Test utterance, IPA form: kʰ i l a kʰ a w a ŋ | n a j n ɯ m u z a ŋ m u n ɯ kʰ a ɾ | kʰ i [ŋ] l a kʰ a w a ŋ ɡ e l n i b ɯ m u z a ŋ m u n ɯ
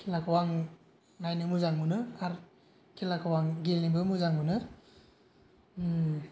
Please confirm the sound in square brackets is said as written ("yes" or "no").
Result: no